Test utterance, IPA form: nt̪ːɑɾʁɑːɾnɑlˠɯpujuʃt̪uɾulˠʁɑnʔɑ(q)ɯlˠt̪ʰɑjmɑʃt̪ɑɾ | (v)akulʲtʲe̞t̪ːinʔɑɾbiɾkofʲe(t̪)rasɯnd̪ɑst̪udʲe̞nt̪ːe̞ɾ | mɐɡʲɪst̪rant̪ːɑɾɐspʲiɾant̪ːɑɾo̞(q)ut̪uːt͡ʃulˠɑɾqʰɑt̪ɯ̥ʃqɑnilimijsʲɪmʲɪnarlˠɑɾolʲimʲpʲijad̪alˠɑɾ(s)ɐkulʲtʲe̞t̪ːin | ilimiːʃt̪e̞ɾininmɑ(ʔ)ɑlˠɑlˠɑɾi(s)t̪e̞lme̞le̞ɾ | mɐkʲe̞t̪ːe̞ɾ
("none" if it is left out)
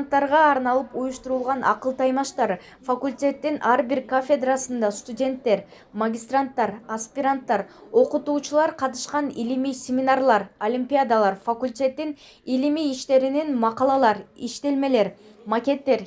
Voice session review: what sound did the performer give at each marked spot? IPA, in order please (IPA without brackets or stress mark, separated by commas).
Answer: q, f, d̪, q, f, q, ʃ